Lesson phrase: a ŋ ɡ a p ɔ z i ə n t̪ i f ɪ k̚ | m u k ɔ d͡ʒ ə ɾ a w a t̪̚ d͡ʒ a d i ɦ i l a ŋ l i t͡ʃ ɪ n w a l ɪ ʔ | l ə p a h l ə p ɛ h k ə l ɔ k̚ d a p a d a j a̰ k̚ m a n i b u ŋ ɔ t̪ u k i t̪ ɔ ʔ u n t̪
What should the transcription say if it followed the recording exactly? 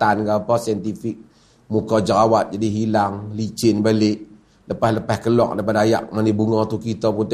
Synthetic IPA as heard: a n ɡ a p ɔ s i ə n t̪ i f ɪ k̚ | m u k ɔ d͡ʒ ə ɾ a w a t̪̚ d͡ʒ a d i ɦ i l a ŋ l i t͡ʃ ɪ n b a l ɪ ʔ | l ə p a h l ə p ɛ h k ə l ɔ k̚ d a p a d a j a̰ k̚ m a n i b u ŋ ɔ t̪ u k i t̪ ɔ p u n t̪